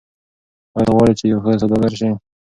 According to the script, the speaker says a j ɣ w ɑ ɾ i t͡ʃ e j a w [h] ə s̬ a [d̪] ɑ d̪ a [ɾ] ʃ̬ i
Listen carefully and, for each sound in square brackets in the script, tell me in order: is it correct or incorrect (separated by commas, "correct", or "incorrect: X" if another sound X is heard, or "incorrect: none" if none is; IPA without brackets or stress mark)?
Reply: incorrect: x, correct, correct